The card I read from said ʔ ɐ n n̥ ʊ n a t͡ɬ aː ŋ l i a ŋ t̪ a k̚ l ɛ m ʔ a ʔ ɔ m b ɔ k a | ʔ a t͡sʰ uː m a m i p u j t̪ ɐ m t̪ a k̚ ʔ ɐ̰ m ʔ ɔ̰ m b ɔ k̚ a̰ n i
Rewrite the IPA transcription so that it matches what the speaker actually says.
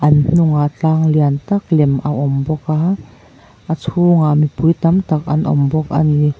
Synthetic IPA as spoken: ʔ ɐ n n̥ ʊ ŋ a t͡ɬ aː ŋ l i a n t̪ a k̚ l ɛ m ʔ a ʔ ɔ m b ɔ k a | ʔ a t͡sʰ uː ŋ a m i p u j t̪ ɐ m t̪ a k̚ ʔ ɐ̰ n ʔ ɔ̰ m b ɔ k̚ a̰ n i